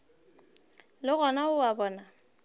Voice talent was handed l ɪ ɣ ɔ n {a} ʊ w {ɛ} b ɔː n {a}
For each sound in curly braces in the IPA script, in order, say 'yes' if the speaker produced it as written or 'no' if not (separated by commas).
yes, no, yes